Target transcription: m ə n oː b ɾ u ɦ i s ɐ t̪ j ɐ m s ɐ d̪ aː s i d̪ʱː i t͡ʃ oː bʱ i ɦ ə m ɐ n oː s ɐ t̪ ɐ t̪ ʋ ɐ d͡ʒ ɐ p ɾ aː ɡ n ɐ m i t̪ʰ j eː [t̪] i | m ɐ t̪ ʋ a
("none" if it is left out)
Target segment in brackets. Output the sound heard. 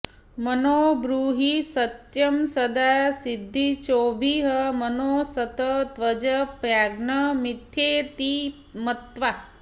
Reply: t̪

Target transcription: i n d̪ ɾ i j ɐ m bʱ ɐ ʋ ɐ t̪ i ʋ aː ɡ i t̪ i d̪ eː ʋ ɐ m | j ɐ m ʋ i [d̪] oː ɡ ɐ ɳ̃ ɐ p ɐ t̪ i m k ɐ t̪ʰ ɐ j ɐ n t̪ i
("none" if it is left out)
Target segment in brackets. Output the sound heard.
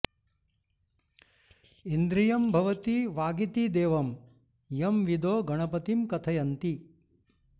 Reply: d̪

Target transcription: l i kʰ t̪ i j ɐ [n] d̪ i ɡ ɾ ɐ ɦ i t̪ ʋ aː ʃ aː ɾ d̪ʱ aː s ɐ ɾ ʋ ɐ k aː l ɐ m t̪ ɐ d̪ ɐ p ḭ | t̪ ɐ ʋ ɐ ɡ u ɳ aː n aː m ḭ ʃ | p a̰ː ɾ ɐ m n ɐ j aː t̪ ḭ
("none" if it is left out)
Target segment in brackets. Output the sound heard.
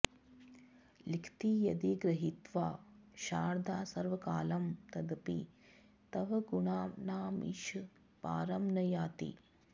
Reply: none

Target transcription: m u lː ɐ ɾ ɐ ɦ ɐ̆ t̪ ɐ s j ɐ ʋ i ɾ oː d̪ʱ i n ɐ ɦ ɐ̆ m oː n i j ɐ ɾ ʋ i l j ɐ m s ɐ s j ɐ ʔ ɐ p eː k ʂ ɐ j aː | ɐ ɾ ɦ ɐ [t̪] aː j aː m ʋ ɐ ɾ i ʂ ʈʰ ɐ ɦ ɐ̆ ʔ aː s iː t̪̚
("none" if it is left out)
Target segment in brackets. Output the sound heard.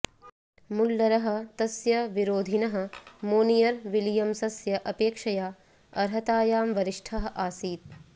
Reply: t̪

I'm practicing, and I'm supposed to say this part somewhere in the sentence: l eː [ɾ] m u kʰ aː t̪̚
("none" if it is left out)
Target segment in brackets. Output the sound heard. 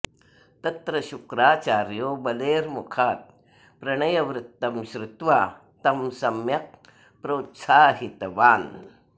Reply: ɾ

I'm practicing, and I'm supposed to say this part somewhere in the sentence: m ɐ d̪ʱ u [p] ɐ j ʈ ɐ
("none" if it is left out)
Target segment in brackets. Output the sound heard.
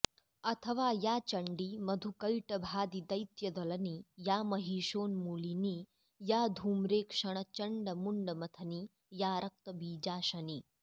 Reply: k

